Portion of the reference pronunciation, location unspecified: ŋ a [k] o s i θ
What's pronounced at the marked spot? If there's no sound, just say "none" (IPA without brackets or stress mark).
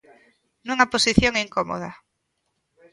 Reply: p